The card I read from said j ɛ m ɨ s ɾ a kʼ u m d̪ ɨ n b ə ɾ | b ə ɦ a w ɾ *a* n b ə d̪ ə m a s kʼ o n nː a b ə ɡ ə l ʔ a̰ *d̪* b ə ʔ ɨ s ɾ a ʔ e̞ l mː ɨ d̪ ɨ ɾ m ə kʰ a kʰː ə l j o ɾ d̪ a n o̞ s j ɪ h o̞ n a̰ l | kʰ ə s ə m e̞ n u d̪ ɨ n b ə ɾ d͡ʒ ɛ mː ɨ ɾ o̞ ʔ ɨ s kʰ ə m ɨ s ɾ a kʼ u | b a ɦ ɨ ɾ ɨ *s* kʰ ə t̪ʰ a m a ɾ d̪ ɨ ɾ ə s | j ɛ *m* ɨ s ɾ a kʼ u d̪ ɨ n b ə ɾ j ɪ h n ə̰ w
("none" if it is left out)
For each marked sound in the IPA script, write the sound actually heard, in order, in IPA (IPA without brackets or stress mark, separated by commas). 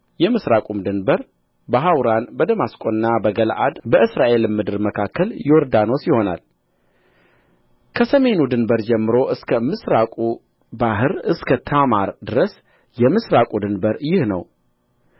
a, d̪, s, m